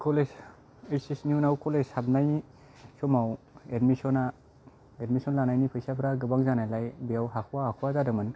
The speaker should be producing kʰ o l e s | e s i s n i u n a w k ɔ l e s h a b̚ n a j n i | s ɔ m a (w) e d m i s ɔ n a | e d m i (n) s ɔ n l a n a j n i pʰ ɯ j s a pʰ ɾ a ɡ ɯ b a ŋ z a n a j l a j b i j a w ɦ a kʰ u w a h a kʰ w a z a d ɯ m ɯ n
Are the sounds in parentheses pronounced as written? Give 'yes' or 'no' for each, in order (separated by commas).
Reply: yes, no